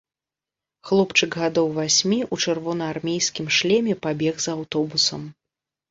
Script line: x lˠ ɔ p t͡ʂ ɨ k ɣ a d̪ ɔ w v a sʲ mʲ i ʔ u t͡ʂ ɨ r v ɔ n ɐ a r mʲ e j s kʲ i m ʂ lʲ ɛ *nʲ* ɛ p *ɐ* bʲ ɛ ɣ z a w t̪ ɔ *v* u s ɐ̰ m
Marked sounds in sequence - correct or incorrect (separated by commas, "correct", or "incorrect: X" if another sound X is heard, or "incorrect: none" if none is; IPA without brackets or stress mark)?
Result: incorrect: mʲ, incorrect: a, incorrect: b